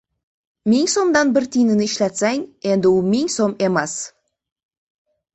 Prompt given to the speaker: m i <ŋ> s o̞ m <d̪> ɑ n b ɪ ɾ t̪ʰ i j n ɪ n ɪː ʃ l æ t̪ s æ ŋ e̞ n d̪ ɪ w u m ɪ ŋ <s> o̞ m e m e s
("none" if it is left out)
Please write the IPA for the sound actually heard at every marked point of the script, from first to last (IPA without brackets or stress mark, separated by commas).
ŋ, d̪, s